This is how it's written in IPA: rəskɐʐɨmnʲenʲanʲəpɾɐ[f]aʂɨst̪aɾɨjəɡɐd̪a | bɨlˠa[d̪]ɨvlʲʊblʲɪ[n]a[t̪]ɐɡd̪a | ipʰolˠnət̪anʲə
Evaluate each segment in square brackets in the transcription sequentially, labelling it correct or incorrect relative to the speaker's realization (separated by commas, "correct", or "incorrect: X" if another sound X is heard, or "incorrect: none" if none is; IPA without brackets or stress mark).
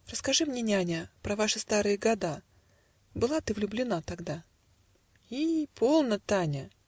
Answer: incorrect: v, incorrect: t̪, correct, correct